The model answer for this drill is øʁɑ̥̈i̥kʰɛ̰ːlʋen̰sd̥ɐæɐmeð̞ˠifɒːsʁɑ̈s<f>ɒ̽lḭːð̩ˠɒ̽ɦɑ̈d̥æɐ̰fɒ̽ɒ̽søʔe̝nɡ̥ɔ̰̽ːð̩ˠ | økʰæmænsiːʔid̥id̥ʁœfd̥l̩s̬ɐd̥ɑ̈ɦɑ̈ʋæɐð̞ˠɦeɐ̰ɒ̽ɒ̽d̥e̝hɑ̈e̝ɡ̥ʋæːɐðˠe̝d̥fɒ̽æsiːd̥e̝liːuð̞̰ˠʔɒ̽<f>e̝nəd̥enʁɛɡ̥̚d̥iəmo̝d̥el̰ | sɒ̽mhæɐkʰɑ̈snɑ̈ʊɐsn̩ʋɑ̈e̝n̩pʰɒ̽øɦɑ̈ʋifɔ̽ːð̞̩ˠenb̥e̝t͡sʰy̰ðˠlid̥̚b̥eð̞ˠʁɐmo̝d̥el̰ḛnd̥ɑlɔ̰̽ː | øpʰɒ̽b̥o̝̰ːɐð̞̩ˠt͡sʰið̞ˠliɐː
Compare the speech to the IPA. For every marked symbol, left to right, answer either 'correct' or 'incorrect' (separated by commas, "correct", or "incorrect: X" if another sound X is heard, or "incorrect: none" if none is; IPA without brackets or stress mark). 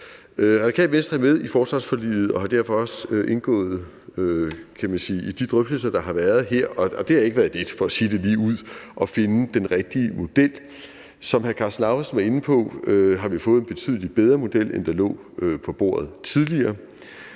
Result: correct, correct